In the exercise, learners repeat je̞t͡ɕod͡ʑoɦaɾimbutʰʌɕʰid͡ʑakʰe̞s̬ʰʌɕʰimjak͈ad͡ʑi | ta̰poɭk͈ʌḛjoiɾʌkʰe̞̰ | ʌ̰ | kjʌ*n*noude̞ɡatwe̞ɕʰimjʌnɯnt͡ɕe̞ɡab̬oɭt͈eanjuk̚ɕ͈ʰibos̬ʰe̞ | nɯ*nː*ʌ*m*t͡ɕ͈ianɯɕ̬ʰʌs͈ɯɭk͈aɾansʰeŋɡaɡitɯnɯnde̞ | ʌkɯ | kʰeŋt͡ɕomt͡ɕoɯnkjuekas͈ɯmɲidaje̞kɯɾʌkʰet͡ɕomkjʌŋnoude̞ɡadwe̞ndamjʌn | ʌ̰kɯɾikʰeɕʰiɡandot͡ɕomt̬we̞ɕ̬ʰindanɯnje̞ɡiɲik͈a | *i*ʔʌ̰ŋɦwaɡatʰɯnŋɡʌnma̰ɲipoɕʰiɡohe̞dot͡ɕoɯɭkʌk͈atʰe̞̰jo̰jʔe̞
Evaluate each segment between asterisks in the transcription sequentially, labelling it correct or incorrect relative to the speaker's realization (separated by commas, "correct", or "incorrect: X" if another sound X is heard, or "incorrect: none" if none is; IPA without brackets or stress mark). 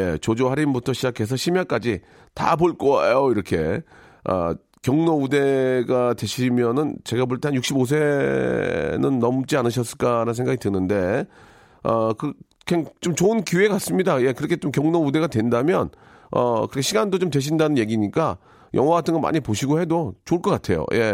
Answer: incorrect: ŋ, correct, correct, incorrect: j